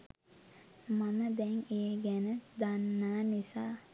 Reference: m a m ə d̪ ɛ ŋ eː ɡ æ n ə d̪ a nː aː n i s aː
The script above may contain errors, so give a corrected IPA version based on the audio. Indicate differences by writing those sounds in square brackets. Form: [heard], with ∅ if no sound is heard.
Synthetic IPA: m a m ə d̪ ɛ ŋ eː ɡ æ n ə d̪ a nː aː n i s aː